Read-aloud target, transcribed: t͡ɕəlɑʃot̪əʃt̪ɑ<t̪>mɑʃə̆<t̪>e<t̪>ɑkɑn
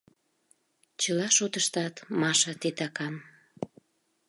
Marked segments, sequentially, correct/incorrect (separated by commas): correct, correct, correct